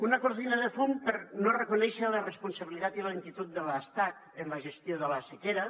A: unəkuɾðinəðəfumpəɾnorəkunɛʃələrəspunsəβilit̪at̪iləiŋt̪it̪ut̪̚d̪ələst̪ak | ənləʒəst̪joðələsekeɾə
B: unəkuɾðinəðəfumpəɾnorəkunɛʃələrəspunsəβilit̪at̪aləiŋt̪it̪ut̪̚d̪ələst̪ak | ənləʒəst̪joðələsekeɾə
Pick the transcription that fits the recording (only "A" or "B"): A